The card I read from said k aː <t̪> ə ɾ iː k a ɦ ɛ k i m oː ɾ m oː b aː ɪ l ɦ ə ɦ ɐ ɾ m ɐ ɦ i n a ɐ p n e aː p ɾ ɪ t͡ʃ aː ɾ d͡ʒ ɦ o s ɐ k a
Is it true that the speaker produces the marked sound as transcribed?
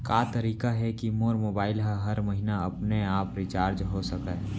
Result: yes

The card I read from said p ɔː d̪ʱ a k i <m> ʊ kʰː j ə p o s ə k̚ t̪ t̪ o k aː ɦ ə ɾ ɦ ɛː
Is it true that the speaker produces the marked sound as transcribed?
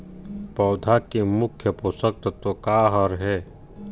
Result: yes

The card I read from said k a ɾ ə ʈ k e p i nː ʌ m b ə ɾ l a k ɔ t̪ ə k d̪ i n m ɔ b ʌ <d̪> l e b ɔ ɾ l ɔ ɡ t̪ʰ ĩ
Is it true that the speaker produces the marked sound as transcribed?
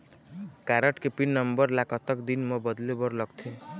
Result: yes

